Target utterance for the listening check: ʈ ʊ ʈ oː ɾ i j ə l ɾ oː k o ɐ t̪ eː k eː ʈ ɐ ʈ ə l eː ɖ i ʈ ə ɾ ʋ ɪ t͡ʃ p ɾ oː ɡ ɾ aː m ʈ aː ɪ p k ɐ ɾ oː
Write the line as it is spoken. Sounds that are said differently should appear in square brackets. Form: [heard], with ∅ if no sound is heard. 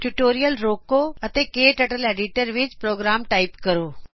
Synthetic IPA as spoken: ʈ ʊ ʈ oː ɾ i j ə l ɾ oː k o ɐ t̪ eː k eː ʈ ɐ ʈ ə l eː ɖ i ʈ ə ɾ ʋ ɪ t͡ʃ p ɾ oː ɡ ɾ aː m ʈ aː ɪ p k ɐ ɾ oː

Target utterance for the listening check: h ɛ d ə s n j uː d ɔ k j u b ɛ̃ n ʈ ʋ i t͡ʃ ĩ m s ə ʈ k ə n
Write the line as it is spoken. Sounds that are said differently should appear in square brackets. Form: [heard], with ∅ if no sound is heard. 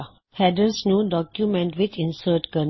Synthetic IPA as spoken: h ɛ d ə s n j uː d ɔ k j u [m] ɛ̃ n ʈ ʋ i t͡ʃ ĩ [n] s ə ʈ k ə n

